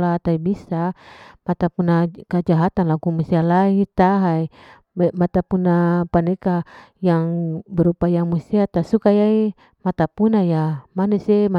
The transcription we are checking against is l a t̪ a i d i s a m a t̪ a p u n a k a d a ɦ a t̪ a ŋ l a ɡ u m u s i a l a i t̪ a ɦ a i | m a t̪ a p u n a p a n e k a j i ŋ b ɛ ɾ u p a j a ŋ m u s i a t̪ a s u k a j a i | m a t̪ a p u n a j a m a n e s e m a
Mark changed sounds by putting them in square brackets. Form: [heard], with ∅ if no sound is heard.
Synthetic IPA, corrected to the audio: l a t̪ a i [b] i s a m a t̪ a p u n a k a [d͡ʒ] a ɦ a t̪ a [n] l a ɡ u m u s i a l a i t̪ a ɦ a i | m a t̪ a p u n a p a n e k a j [a] ŋ b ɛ ɾ u p a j a ŋ m u s i a t̪ a s u k a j a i | m a t̪ a p u n a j a m a n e s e m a